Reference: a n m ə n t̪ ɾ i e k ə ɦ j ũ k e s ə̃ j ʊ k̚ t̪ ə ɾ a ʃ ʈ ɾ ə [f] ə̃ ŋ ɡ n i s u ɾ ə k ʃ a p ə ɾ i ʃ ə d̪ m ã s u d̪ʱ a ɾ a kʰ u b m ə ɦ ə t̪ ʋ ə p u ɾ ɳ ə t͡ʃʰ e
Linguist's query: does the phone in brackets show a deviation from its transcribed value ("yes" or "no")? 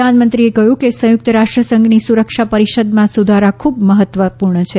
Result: yes